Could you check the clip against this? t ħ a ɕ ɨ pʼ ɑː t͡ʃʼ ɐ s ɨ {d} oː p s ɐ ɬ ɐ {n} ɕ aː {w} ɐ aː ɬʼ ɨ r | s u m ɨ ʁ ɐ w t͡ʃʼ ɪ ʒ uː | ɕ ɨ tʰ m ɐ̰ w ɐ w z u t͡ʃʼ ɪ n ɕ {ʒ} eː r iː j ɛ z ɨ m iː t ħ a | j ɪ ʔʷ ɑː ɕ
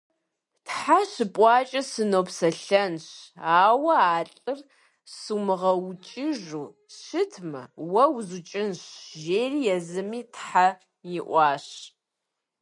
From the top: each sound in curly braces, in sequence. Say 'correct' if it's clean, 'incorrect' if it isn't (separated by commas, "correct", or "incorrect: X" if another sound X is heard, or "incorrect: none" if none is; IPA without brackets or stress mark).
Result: incorrect: n, correct, correct, correct